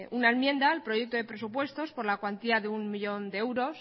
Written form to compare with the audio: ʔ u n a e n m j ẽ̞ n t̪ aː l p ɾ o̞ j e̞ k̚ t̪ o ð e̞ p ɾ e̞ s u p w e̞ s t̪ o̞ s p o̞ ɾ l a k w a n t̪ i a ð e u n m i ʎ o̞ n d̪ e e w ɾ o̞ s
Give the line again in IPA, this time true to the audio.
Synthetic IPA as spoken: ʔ u n a e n m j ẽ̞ n d̪ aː l p ɾ o̞ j e̞ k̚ t̪ o ð e̞ p ɾ e̞ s u p w e̞ s t̪ o̞ s p o̞ ɾ l a k w a n t̪ i a ð e u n m i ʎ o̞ n d̪ e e w ɾ o̞ s